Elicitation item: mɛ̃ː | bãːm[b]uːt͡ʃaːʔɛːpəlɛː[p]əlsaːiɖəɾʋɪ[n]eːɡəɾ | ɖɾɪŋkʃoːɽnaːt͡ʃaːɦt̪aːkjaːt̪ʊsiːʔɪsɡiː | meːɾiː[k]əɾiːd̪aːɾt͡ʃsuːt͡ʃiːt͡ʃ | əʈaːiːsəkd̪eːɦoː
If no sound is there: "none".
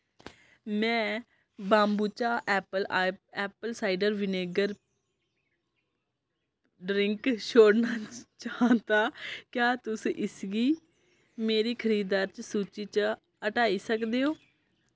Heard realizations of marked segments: b, p, n, kʰ

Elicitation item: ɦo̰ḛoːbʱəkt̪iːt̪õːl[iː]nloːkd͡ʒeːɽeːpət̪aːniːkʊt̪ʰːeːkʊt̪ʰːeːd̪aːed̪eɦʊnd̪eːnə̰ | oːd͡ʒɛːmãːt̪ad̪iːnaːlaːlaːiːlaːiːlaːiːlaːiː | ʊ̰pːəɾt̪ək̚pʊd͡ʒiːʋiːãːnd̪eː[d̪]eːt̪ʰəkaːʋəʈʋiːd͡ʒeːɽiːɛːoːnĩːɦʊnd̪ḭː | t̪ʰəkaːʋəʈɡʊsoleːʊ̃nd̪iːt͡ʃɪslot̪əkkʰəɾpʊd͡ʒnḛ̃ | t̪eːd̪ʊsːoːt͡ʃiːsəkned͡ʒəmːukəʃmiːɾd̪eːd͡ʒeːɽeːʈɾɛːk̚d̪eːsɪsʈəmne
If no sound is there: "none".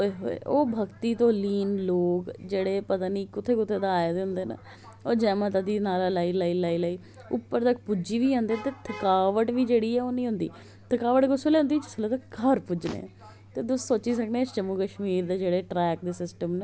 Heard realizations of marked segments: iː, t̪

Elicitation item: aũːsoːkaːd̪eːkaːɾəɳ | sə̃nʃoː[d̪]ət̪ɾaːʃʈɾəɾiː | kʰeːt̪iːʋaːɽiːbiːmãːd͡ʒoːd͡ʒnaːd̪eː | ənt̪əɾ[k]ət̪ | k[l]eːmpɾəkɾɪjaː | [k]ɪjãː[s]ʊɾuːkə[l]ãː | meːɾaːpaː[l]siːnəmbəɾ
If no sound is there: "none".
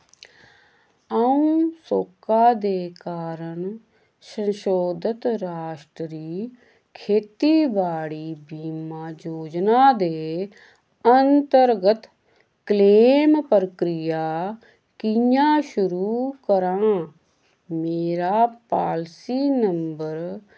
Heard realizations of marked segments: d̪, ɡ, l, k, ʃ, ɾ, l

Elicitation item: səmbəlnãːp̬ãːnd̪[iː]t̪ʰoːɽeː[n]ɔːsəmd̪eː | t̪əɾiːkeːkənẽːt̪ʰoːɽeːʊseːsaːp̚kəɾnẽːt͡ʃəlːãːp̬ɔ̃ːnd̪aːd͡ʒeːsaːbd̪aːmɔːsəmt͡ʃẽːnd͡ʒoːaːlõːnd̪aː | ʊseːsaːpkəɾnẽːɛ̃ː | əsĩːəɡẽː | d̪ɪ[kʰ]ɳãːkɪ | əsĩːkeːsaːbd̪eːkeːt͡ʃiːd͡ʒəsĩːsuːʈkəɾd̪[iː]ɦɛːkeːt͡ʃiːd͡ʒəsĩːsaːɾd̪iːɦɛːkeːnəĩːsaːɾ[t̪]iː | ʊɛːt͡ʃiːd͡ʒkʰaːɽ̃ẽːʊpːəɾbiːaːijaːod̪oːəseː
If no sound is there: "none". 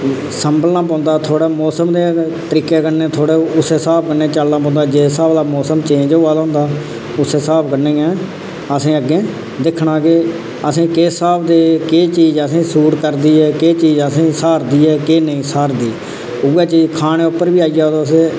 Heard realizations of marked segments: aː, m, kʰ, iː, d̪

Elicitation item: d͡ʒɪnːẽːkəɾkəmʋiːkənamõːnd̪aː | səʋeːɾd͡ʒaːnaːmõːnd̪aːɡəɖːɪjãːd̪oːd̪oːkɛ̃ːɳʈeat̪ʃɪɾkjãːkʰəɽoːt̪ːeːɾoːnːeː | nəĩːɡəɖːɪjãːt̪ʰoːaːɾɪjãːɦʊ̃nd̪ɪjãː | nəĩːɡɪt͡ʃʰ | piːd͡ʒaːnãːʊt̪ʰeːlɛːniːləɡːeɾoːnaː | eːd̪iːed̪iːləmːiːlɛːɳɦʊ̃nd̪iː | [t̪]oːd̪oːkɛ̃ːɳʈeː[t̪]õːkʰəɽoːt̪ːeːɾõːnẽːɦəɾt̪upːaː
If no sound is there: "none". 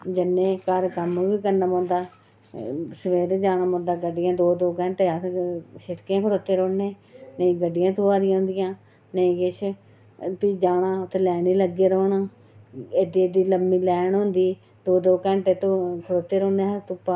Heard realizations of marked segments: d̪, t̪

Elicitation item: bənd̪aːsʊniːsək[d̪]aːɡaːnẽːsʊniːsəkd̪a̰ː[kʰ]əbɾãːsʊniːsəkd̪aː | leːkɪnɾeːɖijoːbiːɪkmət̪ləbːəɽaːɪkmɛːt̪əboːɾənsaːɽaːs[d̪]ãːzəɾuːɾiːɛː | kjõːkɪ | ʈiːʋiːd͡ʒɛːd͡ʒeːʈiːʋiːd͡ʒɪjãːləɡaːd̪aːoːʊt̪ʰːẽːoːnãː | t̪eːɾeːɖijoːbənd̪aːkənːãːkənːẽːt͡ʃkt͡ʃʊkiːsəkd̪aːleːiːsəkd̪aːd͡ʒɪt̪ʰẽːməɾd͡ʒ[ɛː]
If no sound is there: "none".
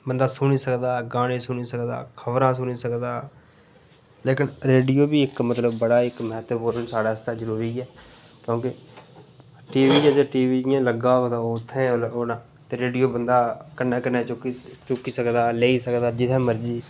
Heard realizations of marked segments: d̪, kʰ, t̪, iː

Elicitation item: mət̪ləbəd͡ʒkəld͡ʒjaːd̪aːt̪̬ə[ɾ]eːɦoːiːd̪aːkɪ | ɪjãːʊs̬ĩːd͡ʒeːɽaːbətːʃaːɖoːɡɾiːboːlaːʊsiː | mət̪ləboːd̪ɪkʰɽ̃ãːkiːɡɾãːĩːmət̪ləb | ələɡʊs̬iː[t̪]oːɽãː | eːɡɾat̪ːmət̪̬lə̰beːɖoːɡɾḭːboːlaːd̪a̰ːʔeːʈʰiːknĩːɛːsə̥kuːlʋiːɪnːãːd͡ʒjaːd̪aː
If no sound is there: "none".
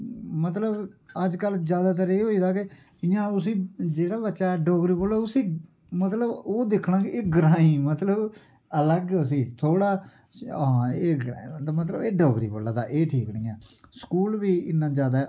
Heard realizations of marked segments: ɾ, t̪ʰ

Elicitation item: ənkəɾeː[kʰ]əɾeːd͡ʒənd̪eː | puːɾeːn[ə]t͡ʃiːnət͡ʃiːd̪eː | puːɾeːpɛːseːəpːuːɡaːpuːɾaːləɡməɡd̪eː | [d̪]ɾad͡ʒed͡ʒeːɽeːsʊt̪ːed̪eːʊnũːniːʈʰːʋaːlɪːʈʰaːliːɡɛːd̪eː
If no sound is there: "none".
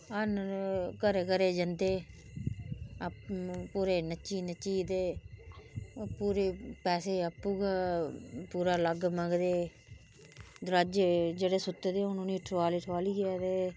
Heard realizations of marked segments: k, ə, d̪

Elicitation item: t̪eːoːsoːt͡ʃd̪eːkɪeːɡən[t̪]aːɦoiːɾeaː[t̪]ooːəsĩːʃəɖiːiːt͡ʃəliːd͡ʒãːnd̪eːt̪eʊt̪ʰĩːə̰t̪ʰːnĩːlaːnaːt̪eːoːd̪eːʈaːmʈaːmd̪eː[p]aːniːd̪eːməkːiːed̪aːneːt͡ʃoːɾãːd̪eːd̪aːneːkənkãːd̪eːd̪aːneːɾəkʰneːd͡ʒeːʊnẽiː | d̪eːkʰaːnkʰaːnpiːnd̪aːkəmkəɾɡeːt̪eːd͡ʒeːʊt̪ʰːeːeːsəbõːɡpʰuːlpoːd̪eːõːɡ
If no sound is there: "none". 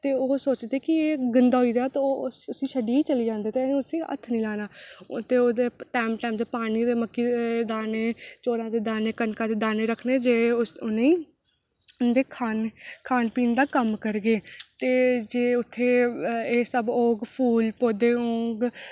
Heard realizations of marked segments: d̪, t̪, p

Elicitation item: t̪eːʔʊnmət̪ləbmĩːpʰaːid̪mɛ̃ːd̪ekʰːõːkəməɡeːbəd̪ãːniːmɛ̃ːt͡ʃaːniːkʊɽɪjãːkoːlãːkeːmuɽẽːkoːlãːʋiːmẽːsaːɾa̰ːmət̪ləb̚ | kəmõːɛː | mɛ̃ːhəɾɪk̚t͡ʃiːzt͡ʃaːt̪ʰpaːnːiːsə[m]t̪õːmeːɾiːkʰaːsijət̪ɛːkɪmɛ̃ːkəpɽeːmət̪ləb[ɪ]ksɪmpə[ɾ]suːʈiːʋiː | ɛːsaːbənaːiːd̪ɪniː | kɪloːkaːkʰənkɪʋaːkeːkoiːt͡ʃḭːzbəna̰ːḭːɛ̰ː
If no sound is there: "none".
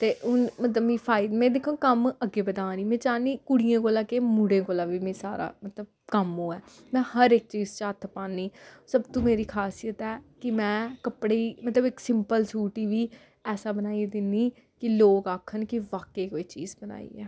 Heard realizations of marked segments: b, ɪ, l

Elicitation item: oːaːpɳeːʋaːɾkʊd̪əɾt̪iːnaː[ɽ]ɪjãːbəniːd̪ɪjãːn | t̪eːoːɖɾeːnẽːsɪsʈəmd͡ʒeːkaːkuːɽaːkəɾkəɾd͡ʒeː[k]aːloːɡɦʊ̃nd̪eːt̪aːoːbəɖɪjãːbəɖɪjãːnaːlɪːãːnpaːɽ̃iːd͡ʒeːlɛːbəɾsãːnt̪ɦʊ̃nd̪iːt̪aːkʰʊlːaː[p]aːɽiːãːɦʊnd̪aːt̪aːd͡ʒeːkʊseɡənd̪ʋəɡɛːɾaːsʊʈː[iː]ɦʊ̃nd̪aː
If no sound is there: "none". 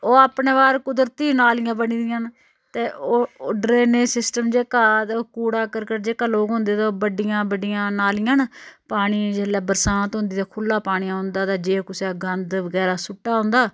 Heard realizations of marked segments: l, k, p, aː

